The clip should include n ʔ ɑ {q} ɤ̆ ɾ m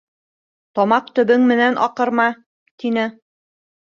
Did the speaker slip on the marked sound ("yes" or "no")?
no